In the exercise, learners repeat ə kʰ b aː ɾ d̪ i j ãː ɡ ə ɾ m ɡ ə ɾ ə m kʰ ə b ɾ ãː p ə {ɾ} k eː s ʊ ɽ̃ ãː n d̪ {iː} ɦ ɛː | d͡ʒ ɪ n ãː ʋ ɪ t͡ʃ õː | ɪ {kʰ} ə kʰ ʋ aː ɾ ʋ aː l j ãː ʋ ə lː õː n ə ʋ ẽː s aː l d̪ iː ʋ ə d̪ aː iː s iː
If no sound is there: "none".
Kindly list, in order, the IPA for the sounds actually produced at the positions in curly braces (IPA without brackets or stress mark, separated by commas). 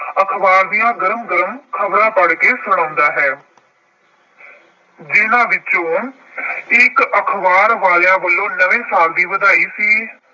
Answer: ɽ, aː, k